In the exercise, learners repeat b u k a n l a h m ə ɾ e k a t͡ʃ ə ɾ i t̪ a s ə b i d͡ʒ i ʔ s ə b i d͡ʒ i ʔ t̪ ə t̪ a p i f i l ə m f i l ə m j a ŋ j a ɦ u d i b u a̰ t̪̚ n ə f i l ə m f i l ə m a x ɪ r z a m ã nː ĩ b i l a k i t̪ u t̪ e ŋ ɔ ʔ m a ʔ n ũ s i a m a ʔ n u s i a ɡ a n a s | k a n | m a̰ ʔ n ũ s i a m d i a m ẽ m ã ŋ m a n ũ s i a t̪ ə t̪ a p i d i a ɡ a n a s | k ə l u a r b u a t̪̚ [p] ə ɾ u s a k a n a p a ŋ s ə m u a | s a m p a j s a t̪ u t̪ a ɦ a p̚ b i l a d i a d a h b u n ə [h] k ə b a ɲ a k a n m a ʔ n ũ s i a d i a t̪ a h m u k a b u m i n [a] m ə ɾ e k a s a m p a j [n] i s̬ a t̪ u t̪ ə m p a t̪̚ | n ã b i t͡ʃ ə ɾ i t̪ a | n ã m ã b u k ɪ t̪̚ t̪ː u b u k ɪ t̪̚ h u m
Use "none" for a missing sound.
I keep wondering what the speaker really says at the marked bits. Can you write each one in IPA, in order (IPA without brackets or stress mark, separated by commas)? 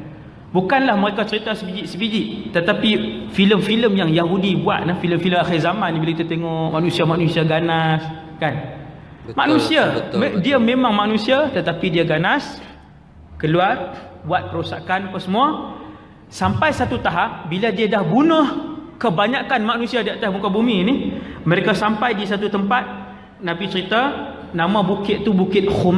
p, h, i, d